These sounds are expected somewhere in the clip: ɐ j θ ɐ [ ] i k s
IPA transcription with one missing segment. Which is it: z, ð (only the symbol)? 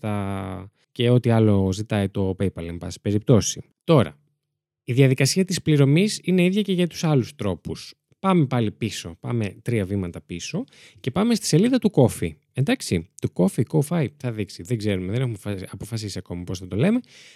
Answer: ð